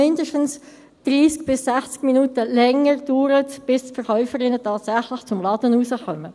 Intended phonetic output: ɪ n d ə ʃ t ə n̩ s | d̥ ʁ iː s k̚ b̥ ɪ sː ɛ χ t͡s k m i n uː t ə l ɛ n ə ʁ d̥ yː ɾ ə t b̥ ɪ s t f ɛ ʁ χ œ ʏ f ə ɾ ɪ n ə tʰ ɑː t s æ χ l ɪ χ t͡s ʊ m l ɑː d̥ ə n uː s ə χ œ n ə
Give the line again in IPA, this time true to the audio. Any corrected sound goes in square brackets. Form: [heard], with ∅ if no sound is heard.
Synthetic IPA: ɪ n d ə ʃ t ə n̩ s | d̥ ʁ iː s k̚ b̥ ɪ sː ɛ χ t͡s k m i n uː t ə l ɛ [ŋ] ə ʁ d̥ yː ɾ ə t b̥ ɪ s t f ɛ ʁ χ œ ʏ f ə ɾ ɪ n ə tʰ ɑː t s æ χ l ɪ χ t͡s ʊ m l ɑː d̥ ə n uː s ə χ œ [m] ə